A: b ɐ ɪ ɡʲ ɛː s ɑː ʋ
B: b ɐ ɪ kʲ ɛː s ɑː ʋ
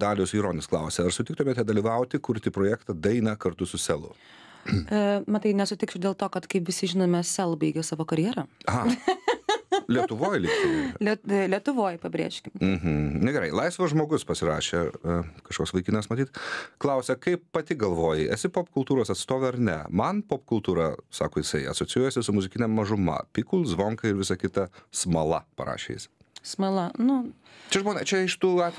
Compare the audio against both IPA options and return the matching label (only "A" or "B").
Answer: A